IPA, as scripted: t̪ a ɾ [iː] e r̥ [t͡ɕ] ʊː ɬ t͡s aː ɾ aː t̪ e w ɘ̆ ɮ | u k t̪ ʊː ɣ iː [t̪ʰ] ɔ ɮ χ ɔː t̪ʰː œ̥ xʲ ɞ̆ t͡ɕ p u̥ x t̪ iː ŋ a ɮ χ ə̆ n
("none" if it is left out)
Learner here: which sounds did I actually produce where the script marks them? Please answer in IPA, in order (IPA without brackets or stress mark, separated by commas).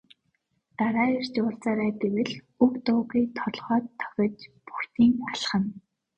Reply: aː, t͡ɕ, t̪ʰ